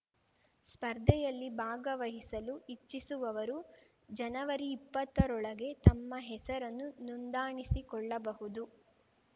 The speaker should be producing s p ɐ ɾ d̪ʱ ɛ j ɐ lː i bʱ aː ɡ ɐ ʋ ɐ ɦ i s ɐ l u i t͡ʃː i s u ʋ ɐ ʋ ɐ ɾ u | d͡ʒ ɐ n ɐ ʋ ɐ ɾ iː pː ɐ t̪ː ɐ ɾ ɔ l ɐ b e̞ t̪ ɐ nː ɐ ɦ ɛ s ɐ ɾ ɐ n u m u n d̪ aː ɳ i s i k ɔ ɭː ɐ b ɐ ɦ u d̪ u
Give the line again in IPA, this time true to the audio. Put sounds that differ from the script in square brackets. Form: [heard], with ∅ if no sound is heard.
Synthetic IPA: s p ɐ ɾ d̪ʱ ɛ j ɐ lː i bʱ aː ɡ ɐ ʋ ɐ ɦ i s ɐ l u i t͡ʃː i s u ʋ ɐ ʋ ɐ ɾ u | d͡ʒ ɐ n ɐ ʋ ɐ ɾ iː pː ɐ t̪ː ɐ ɾ ɔ [ɭ] ɐ [ɡ] e̞ t̪ ɐ [mː] ɐ ɦ ɛ s ɐ ɾ ɐ [nː] u [n] u n d̪ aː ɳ i s i k ɔ ɭː ɐ b ɐ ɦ u d̪ u